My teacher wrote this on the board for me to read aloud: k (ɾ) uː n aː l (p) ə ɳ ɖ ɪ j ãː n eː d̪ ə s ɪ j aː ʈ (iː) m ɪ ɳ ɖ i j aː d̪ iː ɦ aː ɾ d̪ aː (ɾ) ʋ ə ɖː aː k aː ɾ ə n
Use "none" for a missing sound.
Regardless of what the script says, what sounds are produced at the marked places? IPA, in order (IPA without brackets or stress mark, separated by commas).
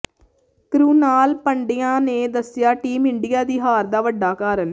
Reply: ɾ, p, iː, none